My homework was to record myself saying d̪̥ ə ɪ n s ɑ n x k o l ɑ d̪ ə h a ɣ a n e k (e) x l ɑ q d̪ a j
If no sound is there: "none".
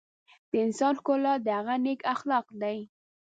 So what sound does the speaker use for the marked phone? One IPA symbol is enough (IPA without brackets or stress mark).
a